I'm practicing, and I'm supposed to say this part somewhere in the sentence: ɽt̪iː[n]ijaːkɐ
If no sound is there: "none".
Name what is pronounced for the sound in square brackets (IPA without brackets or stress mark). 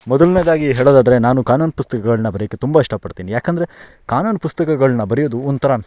n